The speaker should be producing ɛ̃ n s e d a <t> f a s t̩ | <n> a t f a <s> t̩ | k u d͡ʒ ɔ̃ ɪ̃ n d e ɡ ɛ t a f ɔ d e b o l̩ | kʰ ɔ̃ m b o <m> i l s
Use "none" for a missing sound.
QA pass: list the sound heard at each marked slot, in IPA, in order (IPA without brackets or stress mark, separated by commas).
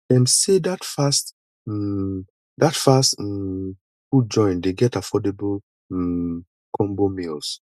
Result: t, d, s, m